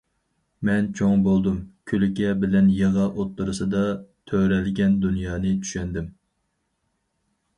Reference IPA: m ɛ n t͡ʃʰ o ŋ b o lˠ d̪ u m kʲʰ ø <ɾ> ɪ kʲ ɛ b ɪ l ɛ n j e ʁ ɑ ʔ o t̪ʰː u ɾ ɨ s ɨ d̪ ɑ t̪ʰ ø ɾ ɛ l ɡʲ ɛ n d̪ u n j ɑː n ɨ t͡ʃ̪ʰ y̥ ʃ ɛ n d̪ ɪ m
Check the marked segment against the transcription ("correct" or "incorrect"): incorrect